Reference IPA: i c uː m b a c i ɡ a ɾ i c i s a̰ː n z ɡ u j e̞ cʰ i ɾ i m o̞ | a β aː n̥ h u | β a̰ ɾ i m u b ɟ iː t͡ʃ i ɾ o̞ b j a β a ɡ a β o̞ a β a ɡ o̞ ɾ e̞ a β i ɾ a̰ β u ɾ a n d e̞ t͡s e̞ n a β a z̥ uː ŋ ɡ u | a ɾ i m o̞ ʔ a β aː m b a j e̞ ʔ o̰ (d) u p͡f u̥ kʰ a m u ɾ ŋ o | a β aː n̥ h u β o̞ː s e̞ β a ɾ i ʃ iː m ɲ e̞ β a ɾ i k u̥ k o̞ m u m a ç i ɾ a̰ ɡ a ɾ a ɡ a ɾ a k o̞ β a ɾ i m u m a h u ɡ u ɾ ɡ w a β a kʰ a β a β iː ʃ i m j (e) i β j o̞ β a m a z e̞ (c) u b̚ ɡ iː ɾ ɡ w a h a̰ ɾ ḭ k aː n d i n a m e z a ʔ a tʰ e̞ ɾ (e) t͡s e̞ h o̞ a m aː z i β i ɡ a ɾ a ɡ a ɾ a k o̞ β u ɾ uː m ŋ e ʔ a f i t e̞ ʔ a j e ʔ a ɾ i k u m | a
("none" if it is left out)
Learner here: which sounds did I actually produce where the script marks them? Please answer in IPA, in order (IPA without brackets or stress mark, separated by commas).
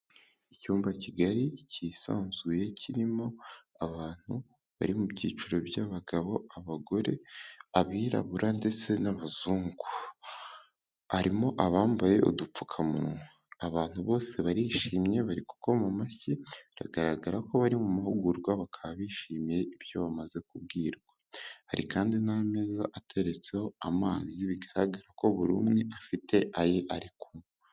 d, e, k, e